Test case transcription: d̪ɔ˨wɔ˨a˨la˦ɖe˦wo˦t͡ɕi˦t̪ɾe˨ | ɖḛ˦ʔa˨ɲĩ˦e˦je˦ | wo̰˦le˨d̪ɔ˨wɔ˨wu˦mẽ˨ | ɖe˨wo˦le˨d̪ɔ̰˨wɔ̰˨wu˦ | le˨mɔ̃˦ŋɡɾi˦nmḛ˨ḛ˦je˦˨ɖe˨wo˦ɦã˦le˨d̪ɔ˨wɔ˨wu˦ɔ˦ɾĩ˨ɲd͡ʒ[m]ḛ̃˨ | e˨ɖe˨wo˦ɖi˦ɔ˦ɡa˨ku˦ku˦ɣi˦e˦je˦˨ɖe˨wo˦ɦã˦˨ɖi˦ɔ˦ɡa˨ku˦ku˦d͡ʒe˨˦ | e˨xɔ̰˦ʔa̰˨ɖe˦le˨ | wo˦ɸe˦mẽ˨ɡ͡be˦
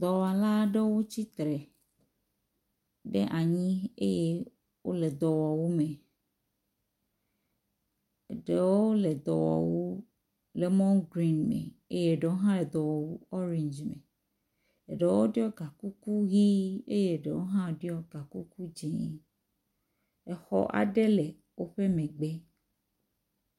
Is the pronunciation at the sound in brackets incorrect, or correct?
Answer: correct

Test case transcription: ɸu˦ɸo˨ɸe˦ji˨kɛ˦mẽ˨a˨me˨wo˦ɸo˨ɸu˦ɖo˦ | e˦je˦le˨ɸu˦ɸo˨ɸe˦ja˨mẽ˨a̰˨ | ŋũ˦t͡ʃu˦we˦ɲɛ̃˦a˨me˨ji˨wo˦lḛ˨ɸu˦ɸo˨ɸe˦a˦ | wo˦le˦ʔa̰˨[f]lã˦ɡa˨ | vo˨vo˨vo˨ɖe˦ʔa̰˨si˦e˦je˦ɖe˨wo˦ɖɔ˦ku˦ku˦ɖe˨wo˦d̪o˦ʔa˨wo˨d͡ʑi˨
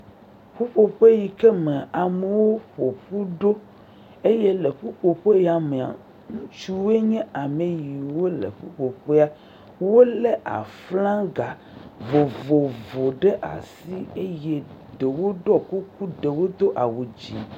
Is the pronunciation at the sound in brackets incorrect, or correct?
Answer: correct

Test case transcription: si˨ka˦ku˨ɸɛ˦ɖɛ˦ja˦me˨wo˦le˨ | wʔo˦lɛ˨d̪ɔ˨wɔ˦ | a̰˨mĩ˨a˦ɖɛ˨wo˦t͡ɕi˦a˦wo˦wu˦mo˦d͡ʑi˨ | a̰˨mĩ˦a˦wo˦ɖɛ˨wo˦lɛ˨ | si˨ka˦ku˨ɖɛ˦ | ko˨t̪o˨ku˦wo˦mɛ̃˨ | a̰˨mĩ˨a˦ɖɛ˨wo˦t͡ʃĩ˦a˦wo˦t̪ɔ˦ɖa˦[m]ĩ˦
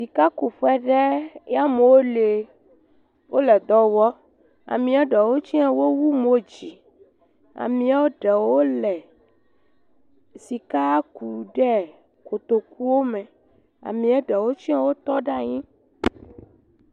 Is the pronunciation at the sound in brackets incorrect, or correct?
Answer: incorrect: ɲ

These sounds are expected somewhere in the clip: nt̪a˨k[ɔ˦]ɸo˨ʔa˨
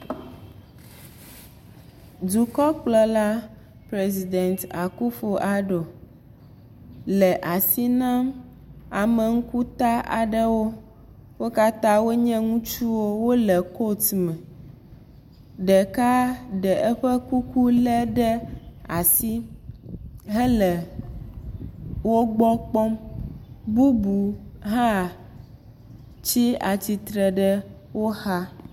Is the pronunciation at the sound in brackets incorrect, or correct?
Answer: incorrect: u˦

